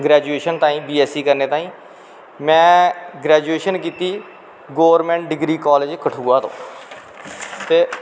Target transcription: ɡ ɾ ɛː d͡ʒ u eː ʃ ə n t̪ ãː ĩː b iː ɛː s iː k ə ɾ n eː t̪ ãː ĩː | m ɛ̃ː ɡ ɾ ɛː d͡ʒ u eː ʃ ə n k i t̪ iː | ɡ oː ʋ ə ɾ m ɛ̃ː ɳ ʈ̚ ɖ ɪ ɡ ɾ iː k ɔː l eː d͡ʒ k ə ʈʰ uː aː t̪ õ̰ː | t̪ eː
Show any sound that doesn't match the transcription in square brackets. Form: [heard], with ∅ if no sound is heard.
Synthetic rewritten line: ɡ ɾ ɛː d͡ʒ u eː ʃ ə n t̪ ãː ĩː b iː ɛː s iː k ə ɾ n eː t̪ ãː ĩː | m ɛ̃ː ɡ ɾ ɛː d͡ʒ u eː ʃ ə n k [iː] t̪ iː | ɡ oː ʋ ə ɾ m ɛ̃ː ɳ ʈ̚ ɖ ɪ ɡ ɾ iː k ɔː l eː d͡ʒ k ə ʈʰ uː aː t̪ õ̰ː | t̪ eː